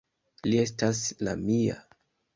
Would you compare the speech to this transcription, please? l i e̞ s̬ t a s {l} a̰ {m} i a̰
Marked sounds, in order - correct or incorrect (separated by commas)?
correct, correct